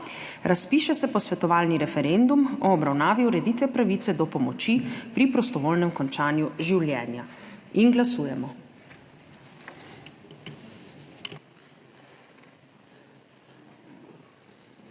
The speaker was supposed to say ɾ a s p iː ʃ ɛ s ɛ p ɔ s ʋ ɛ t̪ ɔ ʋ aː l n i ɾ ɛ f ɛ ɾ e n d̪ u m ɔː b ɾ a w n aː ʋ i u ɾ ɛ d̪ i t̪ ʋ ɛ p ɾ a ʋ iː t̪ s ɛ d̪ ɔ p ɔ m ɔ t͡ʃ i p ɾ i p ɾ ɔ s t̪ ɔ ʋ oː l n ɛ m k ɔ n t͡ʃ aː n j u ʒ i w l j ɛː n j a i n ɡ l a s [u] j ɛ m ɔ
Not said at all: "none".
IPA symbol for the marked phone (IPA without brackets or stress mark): uː